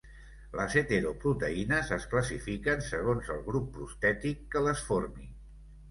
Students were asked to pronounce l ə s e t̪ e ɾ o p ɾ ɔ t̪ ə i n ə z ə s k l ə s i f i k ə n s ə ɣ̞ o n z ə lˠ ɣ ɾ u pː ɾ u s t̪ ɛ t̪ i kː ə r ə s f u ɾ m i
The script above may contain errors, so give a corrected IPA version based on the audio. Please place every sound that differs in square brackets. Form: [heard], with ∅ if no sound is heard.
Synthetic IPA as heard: l ə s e t̪ e ɾ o p ɾ [u] t̪ ə i n ə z ə s k l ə s i f i k ə n s ə ɣ̞ o n z ə lˠ ɣ ɾ u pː ɾ u s t̪ ɛ t̪ i kː ə [l] ə s f [o] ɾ m i